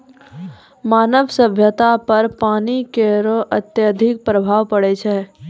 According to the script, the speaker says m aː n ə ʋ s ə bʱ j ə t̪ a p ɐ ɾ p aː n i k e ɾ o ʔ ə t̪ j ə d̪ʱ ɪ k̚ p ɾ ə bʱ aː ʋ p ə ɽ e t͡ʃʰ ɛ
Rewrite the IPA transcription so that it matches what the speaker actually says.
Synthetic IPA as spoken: m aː n ə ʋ s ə bʱ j ə t̪ a p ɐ ɾ p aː n i k e ɾ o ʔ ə t̪ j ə d̪ʱ ɪ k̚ p ɾ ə bʱ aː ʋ p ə ɽ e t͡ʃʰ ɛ